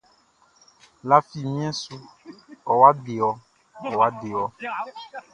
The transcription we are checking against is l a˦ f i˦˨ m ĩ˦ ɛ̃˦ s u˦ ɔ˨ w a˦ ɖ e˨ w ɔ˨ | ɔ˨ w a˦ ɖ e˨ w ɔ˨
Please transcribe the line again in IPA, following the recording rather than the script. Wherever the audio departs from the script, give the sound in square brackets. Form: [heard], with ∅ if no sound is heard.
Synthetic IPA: l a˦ f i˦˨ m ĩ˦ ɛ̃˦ s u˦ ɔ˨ w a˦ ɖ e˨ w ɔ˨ | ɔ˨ w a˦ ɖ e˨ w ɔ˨